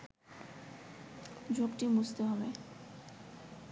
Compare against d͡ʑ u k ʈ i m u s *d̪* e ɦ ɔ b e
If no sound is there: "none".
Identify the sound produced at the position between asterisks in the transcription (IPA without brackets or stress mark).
t̪